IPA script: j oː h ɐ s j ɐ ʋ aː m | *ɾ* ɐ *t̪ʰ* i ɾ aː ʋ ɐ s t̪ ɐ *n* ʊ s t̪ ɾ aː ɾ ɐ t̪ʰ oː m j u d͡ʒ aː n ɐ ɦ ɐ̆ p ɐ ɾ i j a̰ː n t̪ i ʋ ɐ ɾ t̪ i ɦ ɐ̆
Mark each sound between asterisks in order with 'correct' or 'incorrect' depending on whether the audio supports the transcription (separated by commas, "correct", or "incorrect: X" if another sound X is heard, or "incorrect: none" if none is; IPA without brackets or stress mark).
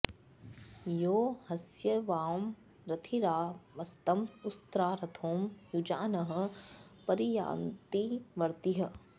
correct, correct, incorrect: m